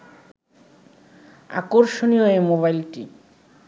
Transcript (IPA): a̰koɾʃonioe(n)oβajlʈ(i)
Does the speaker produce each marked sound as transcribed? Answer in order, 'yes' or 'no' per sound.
no, yes

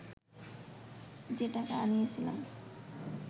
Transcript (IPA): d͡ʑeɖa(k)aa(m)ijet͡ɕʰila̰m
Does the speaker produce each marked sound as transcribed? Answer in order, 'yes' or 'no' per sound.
yes, no

